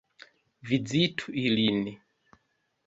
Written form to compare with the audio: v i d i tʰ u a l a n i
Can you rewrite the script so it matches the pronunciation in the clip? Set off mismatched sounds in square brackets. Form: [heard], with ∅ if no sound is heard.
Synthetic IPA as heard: v i [d͡z] i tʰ u [i] l [i] n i